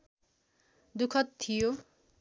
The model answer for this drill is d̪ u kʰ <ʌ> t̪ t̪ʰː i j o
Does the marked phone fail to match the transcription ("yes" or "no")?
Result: no